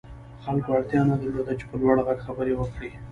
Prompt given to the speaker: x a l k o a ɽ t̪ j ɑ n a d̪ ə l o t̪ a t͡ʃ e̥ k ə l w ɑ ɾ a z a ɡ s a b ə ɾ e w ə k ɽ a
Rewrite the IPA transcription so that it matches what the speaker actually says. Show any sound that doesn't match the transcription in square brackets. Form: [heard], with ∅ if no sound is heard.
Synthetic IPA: x a l k o a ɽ t̪ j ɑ n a d̪ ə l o [d̪] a t͡ʃ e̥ [p] ə l w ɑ [ɽ] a [ɣ] a ɡ [x] a b ə ɾ e w ə k ɽ [i]

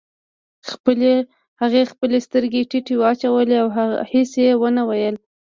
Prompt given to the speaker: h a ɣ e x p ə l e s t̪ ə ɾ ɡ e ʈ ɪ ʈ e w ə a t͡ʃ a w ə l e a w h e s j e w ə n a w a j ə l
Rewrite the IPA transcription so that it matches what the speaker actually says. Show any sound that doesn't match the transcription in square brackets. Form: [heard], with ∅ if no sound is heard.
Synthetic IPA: h a ɣ e x p ə l e s t̪ ə ɾ ɡ e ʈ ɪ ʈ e w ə a t͡ʃ a w ə l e a w h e s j e w ə n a w a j ə l

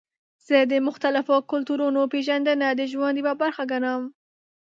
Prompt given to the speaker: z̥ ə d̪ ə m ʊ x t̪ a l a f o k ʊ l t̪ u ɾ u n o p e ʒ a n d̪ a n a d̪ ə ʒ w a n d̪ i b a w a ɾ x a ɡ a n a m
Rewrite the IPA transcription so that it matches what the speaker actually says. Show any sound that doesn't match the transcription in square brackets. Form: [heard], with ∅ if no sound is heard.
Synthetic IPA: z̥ ə d̪ ə m ʊ x t̪ a l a f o k ʊ l t̪ u ɾ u n o p e ʒ a n d̪ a n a d̪ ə ʒ w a n d̪ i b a [b] a ɾ x a ɡ a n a m

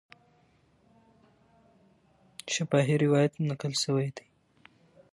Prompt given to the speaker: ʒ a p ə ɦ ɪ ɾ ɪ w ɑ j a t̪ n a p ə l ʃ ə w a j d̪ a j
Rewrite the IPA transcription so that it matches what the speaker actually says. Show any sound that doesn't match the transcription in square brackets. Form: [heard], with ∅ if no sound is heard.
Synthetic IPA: [ʃ] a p [ɑ] ɦ [i] ɾ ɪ w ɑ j a t̪ n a [k] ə l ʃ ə w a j d̪ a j

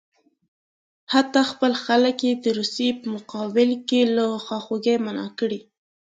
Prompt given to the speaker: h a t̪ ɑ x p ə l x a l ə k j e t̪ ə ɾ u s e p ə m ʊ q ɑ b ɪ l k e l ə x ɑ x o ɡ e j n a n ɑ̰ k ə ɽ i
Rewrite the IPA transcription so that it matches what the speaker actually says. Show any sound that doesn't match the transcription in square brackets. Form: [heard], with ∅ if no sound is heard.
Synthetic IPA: h a t̪ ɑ x p ə l x a l ə k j e [d̪] ə ɾ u s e p ə m ʊ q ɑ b ɪ l k e l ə x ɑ x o ɡ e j [m] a n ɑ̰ k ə ɽ i

